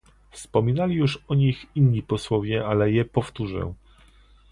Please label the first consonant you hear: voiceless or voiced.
voiceless